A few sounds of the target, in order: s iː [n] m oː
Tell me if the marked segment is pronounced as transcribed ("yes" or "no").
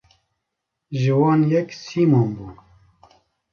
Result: no